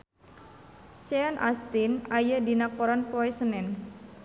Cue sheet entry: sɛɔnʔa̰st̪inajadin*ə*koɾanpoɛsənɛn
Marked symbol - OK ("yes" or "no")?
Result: no